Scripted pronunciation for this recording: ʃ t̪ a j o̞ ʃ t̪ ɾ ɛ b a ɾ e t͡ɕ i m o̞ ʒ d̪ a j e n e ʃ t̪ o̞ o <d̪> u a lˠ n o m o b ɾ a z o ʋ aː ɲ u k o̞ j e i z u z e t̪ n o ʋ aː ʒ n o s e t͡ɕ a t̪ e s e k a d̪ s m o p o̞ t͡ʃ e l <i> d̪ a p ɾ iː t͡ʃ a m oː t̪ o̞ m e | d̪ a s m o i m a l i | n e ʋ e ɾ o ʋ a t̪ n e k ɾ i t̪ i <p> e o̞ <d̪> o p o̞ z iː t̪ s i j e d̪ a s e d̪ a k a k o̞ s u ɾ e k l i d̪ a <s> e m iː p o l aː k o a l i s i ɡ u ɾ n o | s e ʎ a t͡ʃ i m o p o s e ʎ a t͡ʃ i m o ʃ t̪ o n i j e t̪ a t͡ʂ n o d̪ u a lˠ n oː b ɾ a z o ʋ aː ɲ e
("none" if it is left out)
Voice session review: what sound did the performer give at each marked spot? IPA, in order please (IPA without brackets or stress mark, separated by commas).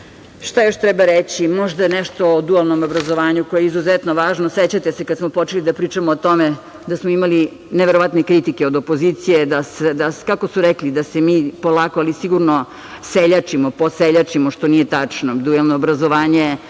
d̪, i, k, d̪, s